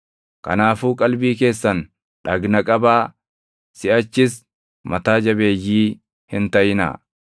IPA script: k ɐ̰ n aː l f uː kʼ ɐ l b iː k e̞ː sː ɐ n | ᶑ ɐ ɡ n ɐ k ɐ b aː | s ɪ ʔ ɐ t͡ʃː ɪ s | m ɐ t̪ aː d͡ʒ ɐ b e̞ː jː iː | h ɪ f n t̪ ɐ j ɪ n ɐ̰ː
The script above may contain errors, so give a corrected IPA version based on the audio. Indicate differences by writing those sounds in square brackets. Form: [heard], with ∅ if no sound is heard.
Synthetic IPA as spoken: k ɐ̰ n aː [∅] f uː kʼ ɐ l b iː k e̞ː sː ɐ n | ᶑ ɐ ɡ n ɐ [kʼ] ɐ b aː | s ɪ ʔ ɐ t͡ʃː ɪ s | m ɐ t̪ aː d͡ʒ ɐ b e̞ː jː iː | h ɪ [∅] n t̪ ɐ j ɪ n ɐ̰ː